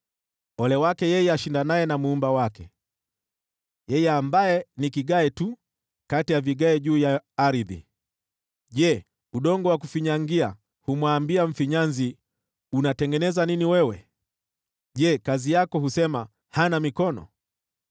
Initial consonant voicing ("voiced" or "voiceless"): voiced